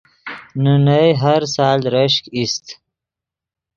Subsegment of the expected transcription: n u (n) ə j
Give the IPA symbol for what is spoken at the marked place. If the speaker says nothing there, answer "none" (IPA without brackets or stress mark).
n